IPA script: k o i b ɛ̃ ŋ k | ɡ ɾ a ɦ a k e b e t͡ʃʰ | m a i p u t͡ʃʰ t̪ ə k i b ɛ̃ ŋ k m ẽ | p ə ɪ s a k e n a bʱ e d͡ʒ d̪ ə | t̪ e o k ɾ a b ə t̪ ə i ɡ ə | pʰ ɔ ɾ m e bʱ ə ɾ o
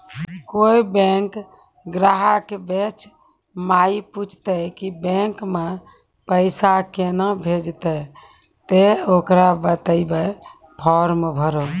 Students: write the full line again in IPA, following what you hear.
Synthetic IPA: k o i b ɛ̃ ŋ k | ɡ ɾ a ɦ a k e b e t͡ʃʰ | m a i p u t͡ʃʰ t̪ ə k i b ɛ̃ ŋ k m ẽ | p ə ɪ s a k e n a bʱ e d͡ʒ t̪ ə | t̪ e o k ɾ a b ə t̪ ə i b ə | pʰ ɔ ɾ m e bʱ ə ɾ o